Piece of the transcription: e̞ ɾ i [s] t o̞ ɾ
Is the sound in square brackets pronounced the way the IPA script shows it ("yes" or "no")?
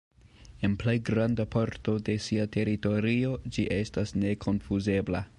no